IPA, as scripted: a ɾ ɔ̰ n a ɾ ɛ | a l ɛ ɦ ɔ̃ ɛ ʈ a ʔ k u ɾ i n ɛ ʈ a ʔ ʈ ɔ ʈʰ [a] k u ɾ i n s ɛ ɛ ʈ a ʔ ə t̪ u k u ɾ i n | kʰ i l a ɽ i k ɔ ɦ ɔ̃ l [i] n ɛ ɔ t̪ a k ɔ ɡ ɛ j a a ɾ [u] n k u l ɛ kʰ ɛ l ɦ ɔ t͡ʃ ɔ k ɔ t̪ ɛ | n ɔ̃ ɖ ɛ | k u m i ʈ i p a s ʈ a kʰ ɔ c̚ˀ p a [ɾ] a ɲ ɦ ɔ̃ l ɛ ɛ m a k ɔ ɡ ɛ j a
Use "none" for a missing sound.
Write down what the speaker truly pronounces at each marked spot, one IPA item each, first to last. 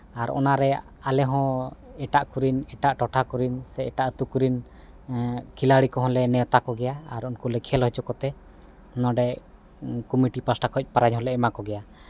a, ɛ, u, ɾ

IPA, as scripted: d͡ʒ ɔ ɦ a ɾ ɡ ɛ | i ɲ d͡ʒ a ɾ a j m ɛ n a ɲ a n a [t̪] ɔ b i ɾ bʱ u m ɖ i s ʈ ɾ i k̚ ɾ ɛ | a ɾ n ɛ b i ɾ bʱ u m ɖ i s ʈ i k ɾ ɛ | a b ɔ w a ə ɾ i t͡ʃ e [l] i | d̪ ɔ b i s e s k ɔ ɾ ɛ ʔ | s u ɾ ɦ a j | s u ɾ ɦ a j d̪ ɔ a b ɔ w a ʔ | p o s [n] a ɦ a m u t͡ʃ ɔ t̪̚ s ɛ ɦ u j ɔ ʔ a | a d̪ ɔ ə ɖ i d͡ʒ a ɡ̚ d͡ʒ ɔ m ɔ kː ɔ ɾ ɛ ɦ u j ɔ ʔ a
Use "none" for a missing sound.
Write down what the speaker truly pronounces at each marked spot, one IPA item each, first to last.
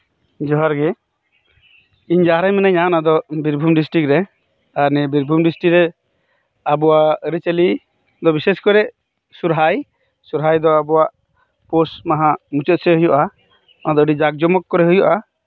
d̪, l, m

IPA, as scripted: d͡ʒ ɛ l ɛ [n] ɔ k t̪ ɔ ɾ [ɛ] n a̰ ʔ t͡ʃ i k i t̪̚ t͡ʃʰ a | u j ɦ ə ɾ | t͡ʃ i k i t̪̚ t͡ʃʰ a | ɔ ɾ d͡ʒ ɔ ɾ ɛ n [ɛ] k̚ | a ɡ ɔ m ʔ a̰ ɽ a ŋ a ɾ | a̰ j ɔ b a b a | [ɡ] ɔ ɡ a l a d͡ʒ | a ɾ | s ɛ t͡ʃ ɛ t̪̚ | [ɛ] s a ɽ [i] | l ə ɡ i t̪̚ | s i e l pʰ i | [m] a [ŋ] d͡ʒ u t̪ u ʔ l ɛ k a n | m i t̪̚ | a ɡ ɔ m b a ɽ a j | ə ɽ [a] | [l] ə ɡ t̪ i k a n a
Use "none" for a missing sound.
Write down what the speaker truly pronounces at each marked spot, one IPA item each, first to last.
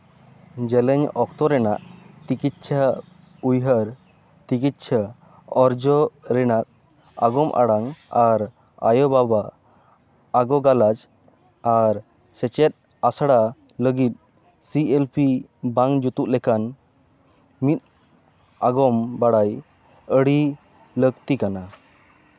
ɲ, ɛ, a, ɡ, a, a, b, ŋ, i, l

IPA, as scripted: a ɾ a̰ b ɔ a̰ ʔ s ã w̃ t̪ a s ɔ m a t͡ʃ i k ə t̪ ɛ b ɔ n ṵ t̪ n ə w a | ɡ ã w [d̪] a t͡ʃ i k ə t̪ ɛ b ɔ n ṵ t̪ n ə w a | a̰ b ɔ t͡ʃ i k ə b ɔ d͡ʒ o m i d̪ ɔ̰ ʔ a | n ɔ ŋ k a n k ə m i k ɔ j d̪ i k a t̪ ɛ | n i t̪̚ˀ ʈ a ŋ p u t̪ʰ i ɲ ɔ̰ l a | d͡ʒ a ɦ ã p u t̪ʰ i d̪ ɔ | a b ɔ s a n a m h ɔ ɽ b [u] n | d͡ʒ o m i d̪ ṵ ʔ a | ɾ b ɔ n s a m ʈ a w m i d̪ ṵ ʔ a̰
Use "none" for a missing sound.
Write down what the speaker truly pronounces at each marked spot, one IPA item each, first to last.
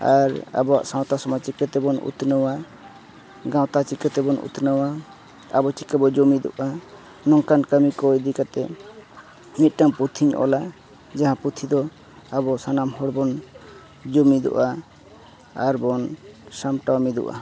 t̪, ɔ

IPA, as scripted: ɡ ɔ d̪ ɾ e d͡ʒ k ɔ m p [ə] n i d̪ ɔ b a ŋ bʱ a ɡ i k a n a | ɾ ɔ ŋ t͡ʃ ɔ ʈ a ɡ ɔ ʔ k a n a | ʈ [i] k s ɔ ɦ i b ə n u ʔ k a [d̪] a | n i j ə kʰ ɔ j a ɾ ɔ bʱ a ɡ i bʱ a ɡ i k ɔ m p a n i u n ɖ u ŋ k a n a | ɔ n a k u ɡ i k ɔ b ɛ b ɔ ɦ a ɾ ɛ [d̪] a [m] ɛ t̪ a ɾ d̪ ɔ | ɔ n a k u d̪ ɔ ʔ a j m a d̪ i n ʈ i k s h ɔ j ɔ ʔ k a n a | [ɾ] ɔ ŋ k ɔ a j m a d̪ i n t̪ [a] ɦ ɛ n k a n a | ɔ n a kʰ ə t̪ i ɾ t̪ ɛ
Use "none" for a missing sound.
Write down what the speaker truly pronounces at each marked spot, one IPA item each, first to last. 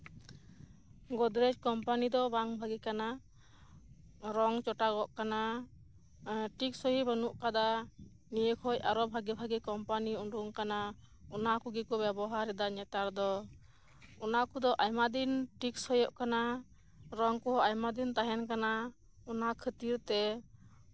a, i, d̪, d̪, ɲ, ɾ, a

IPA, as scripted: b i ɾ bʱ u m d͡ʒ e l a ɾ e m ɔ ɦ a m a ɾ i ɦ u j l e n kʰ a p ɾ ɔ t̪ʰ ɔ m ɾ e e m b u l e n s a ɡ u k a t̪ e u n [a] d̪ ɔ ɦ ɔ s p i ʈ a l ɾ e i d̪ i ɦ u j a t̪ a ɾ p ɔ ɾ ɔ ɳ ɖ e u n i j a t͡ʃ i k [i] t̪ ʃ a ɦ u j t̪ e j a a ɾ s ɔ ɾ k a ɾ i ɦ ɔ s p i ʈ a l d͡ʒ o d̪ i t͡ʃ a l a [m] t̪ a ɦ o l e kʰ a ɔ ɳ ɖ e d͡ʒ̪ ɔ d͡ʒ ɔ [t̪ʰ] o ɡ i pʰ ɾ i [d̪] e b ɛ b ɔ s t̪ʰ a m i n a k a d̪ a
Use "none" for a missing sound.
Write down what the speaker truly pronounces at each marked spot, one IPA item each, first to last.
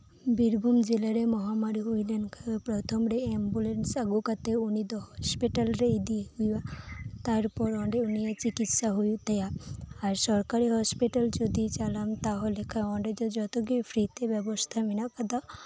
i, i, m, t̪, t̪

